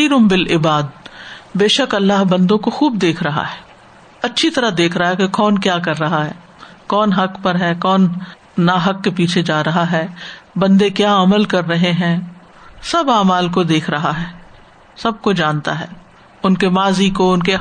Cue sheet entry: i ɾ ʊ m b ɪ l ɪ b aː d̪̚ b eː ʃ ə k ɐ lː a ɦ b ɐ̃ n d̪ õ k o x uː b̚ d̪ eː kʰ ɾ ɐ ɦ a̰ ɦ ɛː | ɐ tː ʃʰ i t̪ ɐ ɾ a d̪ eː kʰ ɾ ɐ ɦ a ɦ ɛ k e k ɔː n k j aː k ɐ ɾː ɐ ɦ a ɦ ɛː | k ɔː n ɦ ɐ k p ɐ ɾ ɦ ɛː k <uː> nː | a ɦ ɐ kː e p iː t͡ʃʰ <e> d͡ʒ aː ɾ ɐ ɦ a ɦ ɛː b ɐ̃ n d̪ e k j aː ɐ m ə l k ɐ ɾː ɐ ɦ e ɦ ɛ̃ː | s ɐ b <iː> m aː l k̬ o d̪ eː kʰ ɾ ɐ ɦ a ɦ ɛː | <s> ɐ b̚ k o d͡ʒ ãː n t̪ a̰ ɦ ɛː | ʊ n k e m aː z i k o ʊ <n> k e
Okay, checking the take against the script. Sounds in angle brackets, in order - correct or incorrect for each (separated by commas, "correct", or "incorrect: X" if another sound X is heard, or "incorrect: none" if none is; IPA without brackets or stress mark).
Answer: incorrect: ɔː, correct, incorrect: aː, correct, correct